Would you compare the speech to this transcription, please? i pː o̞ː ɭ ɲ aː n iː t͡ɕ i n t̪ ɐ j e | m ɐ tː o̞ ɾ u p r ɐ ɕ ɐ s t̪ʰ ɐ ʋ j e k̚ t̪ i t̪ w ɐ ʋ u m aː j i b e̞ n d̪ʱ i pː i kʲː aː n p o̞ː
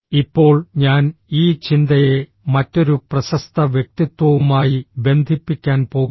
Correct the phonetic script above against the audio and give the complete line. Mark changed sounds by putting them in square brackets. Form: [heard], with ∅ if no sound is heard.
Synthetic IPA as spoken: i pː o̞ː ɭ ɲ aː n iː t͡ɕ i n [d̪] ɐ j e | m ɐ tː o̞ ɾ u p r ɐ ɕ ɐ s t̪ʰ ɐ ʋ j e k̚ t̪ i t̪ w ɐ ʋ u m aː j i b e̞ n d̪ʱ i pː i kʲː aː n p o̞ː